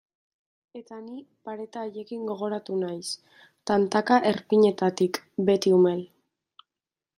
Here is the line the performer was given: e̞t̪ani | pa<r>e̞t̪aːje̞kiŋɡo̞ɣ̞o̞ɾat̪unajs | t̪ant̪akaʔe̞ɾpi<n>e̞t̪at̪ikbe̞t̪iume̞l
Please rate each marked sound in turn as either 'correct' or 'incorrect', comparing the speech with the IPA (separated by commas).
incorrect, incorrect